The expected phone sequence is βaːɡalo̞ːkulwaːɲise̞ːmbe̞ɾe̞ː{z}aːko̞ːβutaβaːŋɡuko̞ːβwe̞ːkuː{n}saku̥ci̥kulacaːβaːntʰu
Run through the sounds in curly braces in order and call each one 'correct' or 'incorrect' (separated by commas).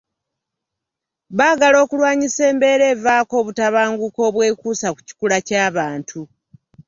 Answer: incorrect, incorrect